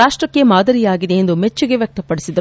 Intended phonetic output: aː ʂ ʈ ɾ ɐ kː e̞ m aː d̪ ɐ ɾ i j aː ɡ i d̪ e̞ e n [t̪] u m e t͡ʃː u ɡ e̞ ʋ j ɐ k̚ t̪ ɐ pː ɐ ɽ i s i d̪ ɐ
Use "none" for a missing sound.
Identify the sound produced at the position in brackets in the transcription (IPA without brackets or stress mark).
d̪